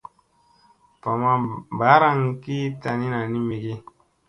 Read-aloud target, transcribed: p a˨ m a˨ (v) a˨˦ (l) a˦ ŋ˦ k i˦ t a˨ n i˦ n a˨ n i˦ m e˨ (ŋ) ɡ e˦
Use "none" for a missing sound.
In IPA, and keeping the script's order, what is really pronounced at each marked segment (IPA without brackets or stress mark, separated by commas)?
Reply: b, ɾ, none